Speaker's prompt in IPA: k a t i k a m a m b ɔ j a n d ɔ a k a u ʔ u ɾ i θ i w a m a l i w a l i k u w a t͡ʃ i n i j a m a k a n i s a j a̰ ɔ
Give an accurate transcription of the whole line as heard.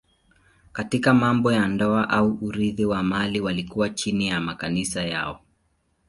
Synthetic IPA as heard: k a t i k a m a m b ɔ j a n d ɔ a ʔ a u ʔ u ɾ i ð i w a m a l i w a l i k u w a t͡ʃ i n i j a m a k a n i s a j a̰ ɔ